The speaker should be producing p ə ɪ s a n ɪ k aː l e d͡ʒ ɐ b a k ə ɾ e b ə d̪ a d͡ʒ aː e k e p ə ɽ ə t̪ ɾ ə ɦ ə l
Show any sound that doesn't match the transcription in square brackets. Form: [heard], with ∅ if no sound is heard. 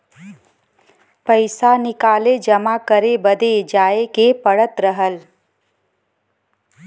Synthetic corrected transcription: p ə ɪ s a n ɪ k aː l e d͡ʒ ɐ [m] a k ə ɾ e b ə d̪ [e] d͡ʒ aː e k e p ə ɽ ə t̪ ɾ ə ɦ ə l